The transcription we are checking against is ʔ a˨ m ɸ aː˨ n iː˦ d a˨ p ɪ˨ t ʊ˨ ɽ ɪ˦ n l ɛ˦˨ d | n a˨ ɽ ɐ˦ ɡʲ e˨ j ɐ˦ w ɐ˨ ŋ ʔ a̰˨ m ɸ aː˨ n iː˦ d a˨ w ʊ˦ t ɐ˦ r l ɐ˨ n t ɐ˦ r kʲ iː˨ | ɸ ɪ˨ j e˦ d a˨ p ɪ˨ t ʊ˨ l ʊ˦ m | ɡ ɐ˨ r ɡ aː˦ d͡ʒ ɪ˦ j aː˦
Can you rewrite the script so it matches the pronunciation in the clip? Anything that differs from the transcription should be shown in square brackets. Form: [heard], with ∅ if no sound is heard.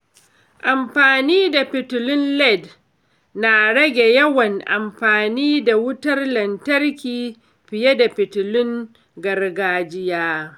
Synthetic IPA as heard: ʔ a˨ m ɸ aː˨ n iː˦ d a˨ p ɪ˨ t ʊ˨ [l] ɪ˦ n l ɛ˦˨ d | n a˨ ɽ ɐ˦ ɡʲ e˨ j ɐ˦ w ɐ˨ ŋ ʔ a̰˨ m ɸ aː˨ n iː˦ d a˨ w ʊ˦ t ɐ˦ r l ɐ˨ n t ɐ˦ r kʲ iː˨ | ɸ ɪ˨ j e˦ d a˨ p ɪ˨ t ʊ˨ l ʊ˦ [ŋ] | ɡ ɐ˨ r ɡ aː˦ d͡ʒ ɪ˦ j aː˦